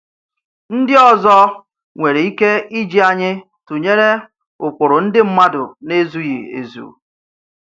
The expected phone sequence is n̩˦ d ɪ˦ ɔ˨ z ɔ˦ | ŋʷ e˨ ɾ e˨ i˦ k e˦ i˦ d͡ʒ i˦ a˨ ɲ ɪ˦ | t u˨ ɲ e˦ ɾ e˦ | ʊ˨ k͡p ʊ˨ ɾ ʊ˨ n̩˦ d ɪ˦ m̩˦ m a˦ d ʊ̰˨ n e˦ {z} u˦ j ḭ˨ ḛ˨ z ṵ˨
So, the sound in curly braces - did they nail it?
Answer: yes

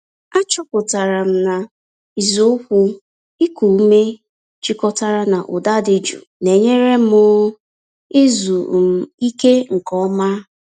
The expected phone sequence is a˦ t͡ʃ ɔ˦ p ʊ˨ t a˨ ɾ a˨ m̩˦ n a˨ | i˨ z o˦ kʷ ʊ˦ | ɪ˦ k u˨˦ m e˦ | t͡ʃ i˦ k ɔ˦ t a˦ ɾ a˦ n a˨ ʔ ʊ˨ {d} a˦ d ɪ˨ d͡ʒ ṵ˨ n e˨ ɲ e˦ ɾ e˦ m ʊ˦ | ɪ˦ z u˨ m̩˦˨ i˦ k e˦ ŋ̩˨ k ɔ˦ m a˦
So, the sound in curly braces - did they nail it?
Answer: yes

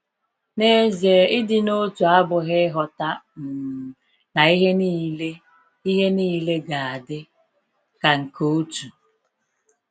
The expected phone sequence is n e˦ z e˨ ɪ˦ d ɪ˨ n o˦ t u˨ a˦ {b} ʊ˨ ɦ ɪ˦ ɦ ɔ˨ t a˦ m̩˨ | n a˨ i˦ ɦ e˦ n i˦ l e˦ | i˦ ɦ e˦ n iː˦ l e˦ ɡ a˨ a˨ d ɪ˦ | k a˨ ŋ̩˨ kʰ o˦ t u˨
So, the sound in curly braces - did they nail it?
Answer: yes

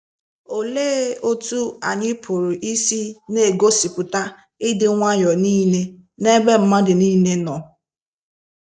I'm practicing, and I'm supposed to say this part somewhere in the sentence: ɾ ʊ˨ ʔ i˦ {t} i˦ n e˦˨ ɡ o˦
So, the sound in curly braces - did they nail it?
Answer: no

